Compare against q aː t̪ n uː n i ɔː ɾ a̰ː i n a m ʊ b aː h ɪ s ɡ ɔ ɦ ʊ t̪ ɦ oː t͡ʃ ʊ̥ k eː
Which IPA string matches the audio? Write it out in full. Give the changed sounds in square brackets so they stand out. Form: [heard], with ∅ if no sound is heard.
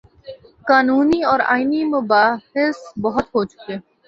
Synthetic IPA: [k] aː [∅] n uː n i ɔː ɾ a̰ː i n [i] m ʊ b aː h ɪ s [b] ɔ ɦ ʊ t̪ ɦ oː t͡ʃ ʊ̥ k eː